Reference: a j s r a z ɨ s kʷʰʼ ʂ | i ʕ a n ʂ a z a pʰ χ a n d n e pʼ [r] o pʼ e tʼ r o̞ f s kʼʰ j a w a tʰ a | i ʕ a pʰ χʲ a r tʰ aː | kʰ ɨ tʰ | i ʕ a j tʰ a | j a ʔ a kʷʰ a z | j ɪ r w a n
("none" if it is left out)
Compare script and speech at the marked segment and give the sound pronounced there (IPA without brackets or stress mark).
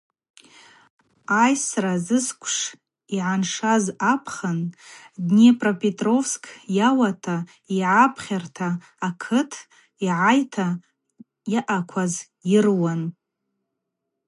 r